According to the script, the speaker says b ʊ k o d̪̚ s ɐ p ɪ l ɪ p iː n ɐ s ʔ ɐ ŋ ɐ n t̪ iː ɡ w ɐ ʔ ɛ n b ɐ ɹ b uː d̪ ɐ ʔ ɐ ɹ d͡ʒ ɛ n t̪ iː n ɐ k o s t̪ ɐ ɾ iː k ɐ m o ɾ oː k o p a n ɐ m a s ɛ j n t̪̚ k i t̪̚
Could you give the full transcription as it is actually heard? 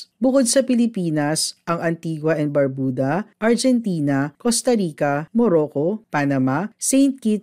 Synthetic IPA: b ʊ k o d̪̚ s ɐ p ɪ l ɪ p iː n ɐ s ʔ ɐ ŋ ɐ n t̪ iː ɡ w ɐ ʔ ɛ n b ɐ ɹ b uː d̪ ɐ ʔ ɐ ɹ d͡ʒ ɛ n t̪ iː n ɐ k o s t̪ ɐ ɾ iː k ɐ m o ɾ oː k o p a n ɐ m a s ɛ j n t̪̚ k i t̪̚